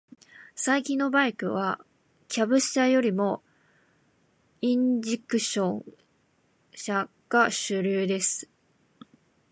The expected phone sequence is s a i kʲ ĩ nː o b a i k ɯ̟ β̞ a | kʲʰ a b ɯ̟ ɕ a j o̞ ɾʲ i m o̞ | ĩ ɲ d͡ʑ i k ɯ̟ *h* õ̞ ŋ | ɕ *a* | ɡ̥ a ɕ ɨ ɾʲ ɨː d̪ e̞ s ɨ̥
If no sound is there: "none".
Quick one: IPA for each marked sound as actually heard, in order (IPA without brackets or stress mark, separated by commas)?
ɕ, a